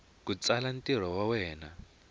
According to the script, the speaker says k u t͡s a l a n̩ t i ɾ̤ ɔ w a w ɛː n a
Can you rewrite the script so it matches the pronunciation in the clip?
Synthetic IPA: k u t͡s a l a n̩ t i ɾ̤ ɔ w a w ɛː n a